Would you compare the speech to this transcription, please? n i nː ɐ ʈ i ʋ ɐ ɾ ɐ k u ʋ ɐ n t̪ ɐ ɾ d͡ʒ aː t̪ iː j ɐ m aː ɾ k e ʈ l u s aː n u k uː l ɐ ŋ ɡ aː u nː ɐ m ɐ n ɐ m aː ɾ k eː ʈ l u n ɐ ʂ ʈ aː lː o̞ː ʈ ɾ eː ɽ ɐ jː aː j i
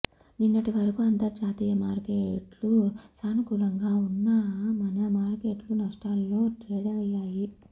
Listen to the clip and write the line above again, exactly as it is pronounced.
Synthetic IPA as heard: n i nː ɐ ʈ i ʋ ɐ ɾ ɐ k u ɐ n t̪ ɐ ɾ d͡ʒ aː t̪ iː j ɐ m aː ɾ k e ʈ l u s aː n u k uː l ɐ ŋ ɡ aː u nː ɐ m ɐ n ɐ m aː ɾ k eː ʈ l u n ɐ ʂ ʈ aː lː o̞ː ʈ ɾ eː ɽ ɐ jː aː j i